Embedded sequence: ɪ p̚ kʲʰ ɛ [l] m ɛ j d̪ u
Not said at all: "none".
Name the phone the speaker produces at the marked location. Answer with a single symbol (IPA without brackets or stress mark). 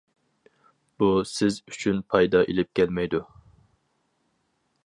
l